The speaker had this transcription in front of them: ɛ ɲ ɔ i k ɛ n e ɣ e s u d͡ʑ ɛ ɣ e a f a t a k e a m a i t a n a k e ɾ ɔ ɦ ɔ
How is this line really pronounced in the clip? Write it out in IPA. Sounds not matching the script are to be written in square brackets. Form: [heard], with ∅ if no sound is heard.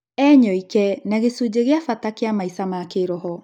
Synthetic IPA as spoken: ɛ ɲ ɔ i k ɛ n [a] ɣ e s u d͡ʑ [e] ɣ e a f a t a k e a m a i [s] a [m] a k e ɾ ɔ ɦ ɔ